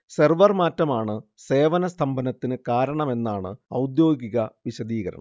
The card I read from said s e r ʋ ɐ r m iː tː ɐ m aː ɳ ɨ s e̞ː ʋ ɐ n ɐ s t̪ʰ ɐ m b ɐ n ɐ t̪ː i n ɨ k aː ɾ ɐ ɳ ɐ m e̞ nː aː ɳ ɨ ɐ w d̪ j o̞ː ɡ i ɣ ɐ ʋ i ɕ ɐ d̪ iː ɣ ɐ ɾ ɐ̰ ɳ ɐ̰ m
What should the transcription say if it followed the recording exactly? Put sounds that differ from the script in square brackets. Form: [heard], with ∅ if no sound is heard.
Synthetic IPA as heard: s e r ʋ ɐ r m [aː] tː ɐ m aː ɳ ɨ s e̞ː ʋ ɐ n ɐ s t̪ʰ ɐ m b ɐ n ɐ t̪ː i n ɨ k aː ɾ ɐ ɳ ɐ m e̞ nː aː ɳ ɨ ɐ w d̪ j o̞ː ɡ i ɣ ɐ ʋ i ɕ ɐ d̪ iː ɣ ɐ ɾ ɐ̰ ɳ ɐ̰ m